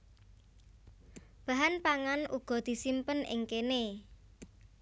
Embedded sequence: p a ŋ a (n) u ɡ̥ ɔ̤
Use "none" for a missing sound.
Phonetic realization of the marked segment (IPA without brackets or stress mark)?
n